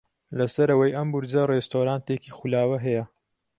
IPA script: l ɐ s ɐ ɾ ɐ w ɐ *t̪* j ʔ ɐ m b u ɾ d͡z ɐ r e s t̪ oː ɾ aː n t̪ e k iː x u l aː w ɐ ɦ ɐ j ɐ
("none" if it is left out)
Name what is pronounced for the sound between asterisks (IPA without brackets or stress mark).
none